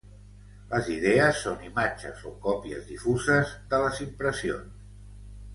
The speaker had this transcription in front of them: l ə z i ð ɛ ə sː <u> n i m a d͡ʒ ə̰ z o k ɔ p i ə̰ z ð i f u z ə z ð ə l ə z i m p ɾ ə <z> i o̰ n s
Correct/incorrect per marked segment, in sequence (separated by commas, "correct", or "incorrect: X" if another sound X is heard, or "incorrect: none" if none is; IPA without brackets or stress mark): incorrect: o, incorrect: s